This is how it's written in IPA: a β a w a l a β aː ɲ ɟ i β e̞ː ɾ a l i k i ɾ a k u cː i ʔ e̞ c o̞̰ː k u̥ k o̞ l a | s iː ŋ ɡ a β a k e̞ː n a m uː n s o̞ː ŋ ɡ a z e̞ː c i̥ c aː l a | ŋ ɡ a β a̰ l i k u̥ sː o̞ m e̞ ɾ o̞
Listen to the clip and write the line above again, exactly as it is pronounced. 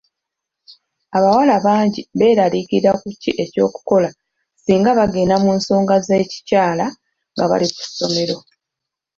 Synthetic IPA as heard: a β a w a l a β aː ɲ ɟ i β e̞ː ɾ a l i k i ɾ a k u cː i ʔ e̞ c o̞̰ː k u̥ k o̞ l a | s iː ŋ ɡ a β a ɡ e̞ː n a m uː n s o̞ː ŋ ɡ a z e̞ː c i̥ c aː l a | ŋ ɡ a β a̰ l i k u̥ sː o̞ m e̞ ɾ o̞